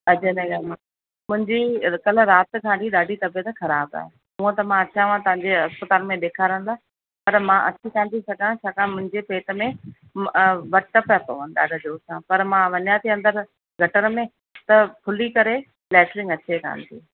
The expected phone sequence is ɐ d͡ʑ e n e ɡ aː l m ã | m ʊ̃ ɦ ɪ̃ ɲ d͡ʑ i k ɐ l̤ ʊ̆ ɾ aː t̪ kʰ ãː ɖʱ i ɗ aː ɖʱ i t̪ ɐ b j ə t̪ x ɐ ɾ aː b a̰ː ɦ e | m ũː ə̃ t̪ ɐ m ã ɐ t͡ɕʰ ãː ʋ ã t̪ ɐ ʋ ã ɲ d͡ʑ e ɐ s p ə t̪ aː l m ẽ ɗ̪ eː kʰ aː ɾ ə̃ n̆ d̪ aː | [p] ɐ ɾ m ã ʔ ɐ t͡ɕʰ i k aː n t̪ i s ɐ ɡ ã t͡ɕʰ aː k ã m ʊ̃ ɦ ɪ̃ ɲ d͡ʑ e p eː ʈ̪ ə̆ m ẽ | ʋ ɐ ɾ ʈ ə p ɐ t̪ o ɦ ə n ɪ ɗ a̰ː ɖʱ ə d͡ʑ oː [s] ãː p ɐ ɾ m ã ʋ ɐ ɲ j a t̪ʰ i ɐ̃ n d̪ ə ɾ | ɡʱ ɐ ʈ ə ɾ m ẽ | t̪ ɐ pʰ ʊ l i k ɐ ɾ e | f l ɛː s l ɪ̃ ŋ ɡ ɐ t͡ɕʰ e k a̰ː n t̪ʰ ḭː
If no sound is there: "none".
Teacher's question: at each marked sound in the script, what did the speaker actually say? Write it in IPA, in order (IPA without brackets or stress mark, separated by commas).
p, s